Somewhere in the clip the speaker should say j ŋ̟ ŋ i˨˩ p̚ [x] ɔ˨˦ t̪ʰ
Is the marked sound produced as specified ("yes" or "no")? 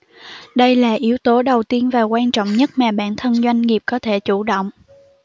no